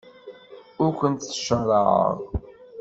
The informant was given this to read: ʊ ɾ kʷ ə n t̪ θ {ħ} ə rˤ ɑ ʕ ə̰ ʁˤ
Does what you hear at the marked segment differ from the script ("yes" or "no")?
yes